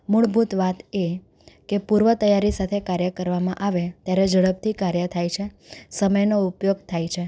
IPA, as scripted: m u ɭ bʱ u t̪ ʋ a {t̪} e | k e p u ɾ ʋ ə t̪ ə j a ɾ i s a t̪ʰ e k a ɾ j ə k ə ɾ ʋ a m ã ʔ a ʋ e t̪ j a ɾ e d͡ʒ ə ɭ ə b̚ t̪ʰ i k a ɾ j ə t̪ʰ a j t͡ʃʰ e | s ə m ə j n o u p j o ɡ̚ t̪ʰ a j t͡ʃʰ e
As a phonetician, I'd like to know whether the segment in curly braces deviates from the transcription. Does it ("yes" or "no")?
no